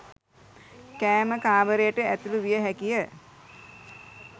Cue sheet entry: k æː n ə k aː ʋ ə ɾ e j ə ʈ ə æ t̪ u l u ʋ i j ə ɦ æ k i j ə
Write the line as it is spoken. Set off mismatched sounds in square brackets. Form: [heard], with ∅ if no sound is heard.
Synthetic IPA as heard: k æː [m] ə k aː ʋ ə ɾ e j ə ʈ ə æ t̪ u l u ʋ i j ə ɦ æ k i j ə